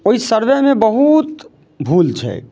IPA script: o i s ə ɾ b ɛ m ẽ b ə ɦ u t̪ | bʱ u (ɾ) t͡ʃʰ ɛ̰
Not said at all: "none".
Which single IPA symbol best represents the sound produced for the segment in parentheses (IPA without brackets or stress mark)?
l